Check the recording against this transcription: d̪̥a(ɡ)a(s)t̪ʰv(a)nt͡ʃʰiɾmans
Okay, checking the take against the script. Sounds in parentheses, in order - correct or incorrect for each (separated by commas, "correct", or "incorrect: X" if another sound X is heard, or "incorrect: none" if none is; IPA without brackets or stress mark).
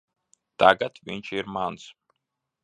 correct, incorrect: none, incorrect: i